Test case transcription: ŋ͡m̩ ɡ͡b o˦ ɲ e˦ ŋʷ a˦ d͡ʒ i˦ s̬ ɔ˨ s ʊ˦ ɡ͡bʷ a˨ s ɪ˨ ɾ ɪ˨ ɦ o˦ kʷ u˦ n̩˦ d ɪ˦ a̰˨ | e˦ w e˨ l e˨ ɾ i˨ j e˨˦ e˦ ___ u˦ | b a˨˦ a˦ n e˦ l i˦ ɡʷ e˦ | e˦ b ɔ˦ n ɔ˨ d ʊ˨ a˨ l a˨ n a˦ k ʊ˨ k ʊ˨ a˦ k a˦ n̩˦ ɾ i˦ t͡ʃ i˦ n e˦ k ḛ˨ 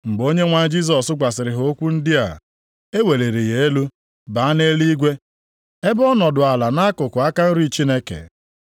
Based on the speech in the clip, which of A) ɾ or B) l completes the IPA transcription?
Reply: B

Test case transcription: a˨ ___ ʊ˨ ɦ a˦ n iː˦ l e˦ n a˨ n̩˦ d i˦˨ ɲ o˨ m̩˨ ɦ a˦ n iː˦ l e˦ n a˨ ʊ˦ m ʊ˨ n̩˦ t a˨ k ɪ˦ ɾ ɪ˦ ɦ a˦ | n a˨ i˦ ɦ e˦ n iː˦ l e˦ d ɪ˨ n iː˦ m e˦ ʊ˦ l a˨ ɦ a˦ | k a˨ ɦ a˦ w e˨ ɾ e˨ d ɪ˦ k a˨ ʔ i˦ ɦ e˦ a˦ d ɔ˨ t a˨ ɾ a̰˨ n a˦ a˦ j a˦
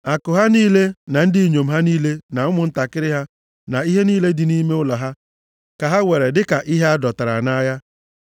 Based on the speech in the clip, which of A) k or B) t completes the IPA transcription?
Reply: A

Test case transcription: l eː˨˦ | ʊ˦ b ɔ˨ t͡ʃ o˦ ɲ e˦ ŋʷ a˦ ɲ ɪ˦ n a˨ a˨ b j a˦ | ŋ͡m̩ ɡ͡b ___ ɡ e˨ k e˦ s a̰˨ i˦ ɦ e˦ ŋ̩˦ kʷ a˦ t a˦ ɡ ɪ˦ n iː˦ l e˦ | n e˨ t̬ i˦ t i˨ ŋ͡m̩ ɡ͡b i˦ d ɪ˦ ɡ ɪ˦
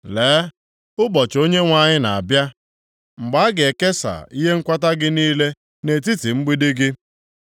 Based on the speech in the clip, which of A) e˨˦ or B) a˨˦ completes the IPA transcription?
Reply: B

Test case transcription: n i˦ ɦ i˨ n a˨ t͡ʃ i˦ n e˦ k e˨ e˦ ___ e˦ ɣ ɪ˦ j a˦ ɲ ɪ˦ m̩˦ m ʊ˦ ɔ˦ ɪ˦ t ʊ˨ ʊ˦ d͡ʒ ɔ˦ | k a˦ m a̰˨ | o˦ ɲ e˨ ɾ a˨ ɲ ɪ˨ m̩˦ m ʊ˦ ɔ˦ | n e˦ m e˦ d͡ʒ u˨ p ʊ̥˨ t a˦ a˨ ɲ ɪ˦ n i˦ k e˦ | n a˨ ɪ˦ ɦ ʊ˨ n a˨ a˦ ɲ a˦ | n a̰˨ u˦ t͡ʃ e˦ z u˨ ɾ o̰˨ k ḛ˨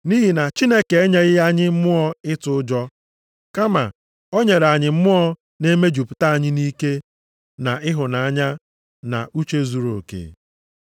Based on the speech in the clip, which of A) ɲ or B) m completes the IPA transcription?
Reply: A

